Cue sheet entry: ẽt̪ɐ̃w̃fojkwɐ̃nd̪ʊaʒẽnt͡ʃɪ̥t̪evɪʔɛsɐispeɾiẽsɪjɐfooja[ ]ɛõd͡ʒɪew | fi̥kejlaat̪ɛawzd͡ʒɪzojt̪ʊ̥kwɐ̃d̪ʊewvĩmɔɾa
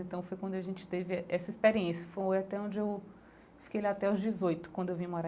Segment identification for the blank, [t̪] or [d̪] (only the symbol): t̪